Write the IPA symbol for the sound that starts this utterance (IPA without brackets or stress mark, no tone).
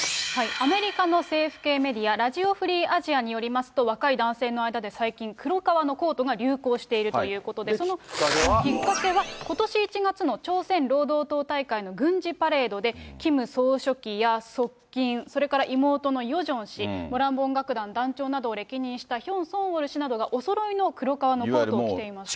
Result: h